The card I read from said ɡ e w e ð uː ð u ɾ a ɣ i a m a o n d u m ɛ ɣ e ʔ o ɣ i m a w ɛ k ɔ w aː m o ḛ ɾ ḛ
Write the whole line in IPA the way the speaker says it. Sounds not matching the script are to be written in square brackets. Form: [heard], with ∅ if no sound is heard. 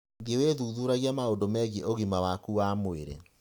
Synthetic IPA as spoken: ɡ e w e ð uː ð u ɾ a ɣ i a m a o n d [o] m ɛ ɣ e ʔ o ɣ i m a w [a] k [u] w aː m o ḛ ɾ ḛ